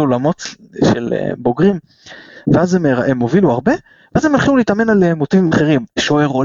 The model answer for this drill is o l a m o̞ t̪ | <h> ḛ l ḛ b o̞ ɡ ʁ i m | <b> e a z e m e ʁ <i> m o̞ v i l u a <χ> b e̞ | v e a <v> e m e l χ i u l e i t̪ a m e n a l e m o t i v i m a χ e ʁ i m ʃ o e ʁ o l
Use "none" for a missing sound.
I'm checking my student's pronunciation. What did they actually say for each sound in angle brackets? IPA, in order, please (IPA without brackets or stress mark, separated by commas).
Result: ʃ, v, e, ʁ, z